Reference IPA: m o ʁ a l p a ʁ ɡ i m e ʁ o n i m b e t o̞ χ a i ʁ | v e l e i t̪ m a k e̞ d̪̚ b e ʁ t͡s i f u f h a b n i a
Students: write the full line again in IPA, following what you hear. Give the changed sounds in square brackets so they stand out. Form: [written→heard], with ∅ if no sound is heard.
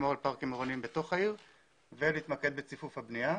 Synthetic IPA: m o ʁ a l p a ʁ [ɡ→k] i m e ʁ o n i m b e t o̞ χ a i ʁ | v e l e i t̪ m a k e̞ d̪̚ b e [ʁ→∅] t͡s i f u f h a b n i a